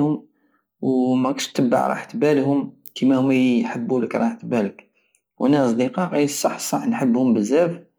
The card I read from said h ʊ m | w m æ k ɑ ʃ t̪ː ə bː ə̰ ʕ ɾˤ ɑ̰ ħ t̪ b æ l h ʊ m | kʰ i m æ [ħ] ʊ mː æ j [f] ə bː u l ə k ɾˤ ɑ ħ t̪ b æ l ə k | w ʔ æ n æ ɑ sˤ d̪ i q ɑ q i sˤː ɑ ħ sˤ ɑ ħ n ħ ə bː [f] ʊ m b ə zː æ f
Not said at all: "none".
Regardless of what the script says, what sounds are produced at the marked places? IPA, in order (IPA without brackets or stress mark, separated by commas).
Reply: h, ħ, h